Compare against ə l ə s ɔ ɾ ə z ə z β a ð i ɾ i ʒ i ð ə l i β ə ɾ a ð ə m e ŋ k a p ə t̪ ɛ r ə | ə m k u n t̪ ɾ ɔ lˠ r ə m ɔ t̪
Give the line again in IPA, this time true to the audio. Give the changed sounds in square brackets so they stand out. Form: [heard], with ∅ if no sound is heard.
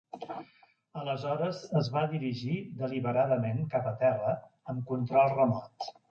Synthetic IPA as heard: ə l ə [z] ɔ ɾ ə z ə z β a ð i ɾ i ʒ i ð ə l i β ə ɾ a ð ə m e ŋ k a p ə t̪ ɛ r ə | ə m k u n t̪ ɾ ɔ lˠ r ə m ɔ t̪